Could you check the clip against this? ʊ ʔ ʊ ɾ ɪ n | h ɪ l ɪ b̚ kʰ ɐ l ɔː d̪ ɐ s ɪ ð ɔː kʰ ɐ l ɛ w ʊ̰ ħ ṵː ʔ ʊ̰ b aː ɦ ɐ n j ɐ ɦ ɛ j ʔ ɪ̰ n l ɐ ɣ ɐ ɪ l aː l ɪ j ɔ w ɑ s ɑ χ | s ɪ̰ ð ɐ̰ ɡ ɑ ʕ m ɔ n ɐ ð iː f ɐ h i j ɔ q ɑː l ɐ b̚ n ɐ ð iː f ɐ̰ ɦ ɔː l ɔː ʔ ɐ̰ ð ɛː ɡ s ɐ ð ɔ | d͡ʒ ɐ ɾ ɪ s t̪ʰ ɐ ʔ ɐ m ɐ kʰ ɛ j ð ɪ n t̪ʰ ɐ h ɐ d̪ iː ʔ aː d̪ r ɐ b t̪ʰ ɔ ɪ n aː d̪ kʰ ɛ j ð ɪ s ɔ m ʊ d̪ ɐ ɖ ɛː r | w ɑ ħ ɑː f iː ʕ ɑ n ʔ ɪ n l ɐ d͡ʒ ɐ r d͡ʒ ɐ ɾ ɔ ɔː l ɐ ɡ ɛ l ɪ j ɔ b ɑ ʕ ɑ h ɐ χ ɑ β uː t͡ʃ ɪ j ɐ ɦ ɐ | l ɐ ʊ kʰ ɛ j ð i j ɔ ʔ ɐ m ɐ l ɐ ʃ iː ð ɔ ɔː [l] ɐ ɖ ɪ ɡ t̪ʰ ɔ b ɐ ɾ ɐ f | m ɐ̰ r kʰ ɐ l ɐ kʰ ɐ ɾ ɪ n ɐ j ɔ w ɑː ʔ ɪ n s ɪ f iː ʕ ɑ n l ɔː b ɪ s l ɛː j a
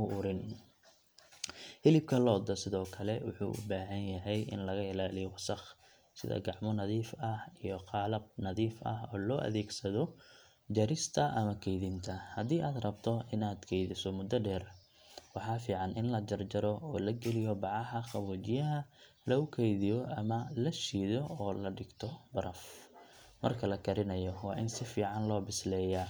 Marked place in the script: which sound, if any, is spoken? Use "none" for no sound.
l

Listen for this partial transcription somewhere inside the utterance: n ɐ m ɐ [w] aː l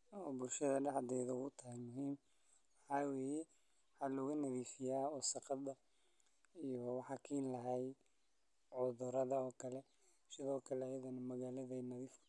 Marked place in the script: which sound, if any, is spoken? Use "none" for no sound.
ɣ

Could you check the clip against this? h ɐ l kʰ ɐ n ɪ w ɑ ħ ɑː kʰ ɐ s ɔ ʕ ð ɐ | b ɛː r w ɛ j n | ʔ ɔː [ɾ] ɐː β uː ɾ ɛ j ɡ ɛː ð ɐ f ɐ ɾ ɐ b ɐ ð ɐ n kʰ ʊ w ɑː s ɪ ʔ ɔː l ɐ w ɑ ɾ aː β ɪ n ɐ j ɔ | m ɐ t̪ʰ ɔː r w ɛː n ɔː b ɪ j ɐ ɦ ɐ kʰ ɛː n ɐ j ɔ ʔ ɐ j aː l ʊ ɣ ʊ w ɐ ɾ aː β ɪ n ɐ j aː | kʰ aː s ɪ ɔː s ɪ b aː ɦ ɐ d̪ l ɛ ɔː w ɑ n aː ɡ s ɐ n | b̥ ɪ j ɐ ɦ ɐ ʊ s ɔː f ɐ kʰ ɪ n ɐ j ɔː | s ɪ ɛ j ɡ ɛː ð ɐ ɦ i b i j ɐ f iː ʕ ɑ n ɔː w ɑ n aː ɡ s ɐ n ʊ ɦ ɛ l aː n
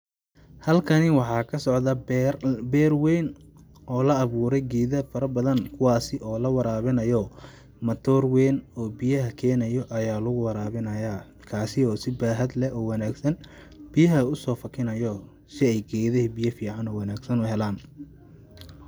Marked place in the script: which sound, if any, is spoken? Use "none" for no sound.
l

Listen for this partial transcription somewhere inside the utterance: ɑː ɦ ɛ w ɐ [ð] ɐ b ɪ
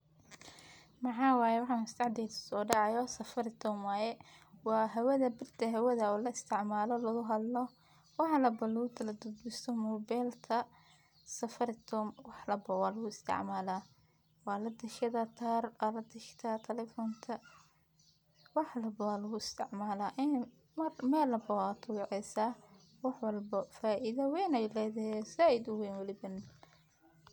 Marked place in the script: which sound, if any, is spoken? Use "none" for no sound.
ð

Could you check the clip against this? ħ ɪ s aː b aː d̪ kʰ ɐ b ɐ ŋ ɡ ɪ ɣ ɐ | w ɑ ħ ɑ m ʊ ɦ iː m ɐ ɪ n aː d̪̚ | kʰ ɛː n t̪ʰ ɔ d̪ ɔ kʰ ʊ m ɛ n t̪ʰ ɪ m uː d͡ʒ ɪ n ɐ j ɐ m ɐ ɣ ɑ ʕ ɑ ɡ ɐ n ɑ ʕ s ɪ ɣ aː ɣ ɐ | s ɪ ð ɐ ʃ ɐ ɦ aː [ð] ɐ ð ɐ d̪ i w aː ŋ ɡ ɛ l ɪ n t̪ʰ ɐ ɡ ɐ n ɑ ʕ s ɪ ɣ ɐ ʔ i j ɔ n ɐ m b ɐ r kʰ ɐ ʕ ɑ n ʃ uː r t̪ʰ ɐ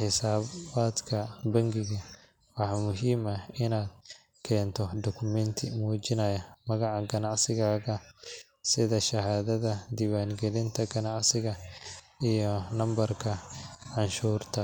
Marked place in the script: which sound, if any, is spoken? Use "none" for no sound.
ð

